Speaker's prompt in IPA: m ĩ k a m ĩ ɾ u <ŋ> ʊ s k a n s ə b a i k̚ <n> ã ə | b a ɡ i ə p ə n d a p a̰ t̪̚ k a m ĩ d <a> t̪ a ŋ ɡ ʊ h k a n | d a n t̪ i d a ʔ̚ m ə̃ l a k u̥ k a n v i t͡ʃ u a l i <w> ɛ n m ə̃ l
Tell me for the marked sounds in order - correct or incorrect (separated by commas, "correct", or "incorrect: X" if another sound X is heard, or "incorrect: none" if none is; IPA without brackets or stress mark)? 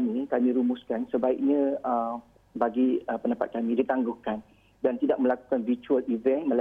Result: incorrect: m, incorrect: ɲ, incorrect: i, incorrect: v